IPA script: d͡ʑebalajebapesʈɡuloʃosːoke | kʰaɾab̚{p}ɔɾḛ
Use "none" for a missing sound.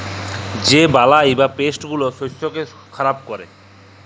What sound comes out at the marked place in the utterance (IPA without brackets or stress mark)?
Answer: k